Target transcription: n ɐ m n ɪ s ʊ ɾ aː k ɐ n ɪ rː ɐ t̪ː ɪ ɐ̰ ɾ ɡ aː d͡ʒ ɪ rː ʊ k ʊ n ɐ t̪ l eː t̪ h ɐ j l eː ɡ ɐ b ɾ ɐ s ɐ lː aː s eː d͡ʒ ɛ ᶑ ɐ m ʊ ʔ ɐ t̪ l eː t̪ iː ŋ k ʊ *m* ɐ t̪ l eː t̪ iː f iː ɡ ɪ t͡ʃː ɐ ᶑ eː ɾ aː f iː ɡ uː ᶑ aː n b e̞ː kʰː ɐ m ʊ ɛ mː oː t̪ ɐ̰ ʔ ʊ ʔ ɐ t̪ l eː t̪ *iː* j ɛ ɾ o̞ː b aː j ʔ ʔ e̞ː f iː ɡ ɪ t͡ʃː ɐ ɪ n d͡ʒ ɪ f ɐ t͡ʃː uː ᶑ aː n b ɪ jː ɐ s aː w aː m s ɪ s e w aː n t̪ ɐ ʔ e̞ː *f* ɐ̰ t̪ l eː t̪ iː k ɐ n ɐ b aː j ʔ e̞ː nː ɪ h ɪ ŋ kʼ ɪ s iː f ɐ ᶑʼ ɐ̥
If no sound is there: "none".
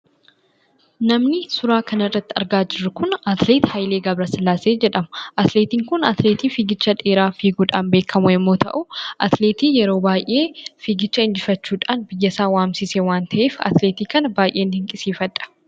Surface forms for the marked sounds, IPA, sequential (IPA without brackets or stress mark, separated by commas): n, iː, f